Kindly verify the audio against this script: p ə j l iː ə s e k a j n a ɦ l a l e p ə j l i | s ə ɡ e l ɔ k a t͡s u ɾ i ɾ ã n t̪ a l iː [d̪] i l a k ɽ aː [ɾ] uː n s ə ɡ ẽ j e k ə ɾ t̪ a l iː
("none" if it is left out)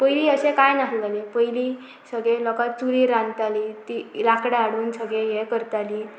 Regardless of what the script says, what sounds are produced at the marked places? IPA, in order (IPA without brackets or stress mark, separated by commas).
t̪, ɽ